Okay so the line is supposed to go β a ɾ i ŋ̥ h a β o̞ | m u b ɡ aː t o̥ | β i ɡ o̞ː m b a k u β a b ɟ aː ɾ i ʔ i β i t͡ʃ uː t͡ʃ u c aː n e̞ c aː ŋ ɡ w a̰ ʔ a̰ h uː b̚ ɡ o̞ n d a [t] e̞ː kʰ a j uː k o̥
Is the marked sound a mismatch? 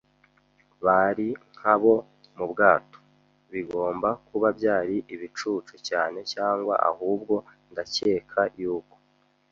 yes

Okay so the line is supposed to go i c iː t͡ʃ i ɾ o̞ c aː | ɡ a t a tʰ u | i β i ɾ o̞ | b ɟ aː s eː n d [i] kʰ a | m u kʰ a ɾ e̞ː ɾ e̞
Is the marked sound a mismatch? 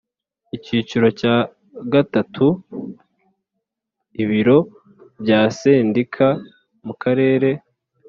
no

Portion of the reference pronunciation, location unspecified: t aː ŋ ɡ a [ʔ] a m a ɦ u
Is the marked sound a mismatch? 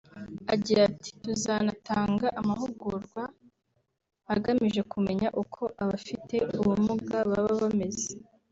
no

